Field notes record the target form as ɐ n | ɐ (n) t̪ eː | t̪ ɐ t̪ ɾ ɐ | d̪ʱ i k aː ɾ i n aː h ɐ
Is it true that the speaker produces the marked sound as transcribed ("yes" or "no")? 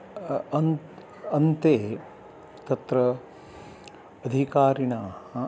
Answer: yes